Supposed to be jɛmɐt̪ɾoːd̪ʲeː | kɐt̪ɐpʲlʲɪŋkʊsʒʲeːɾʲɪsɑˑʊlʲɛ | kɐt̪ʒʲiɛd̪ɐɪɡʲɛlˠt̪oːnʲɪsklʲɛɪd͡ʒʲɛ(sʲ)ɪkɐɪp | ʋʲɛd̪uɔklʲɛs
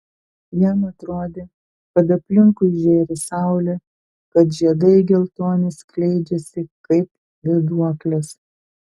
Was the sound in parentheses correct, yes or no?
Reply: yes